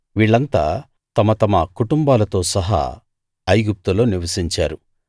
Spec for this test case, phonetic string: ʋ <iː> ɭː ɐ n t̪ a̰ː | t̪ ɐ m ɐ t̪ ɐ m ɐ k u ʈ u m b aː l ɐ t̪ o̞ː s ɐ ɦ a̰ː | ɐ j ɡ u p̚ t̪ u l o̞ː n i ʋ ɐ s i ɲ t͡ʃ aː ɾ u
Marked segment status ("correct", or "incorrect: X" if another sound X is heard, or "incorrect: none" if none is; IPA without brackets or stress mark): correct